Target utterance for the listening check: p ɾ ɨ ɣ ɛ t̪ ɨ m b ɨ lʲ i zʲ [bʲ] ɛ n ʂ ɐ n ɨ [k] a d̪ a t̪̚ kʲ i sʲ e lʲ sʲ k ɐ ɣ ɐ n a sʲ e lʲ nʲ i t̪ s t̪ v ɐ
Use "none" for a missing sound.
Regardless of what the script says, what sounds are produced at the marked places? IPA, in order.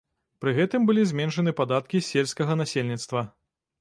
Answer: mʲ, p

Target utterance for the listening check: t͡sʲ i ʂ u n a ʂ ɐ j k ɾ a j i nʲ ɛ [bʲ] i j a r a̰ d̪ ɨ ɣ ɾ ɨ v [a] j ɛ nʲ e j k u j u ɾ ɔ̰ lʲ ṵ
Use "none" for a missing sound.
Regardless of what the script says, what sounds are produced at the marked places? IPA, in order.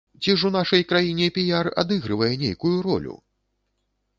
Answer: pʲ, ɐ

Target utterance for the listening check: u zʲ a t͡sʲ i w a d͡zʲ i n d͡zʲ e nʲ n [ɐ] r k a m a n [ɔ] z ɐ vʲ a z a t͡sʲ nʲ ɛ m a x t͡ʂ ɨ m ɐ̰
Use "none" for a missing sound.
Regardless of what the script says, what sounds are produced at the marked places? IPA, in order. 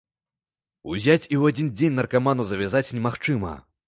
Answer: ɐ, u

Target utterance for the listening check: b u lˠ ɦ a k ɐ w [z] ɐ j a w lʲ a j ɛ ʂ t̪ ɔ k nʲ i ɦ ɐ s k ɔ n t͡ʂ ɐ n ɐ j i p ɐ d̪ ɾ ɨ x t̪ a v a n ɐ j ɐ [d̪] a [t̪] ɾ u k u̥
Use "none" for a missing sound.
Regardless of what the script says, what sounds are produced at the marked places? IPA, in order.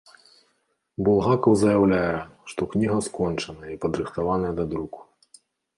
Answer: z, d̪, d̪

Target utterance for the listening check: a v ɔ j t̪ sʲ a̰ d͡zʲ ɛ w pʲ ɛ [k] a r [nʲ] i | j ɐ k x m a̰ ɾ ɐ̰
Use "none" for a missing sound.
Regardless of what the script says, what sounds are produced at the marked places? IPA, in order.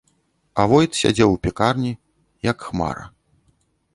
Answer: k, nʲ

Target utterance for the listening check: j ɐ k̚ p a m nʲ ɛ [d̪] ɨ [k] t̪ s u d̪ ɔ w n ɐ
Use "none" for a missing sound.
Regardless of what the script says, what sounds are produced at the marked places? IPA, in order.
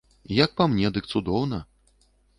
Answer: d̪, k

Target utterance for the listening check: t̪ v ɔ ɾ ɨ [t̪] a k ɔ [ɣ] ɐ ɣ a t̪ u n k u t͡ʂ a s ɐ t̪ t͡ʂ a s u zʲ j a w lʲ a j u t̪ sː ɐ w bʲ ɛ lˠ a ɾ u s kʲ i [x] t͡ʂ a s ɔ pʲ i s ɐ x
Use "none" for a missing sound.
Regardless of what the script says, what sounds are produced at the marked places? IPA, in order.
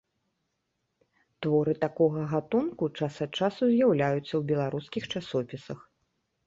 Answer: t̪, ɣ, x

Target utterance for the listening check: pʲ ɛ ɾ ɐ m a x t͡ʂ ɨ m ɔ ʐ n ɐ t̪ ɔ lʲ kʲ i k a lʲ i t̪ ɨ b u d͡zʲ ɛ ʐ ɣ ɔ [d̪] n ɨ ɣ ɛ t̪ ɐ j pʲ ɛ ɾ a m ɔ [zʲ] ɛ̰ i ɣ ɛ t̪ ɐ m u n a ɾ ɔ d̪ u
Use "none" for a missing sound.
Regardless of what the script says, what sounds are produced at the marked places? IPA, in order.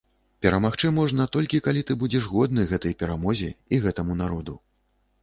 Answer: d̪, zʲ

